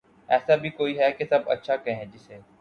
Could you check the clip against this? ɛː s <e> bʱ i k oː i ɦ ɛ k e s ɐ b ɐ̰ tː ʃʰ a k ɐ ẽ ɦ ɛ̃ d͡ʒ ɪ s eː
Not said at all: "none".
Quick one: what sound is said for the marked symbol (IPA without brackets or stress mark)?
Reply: a